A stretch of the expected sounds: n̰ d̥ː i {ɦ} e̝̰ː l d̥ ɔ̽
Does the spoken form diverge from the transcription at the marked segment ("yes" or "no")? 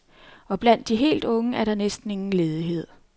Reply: no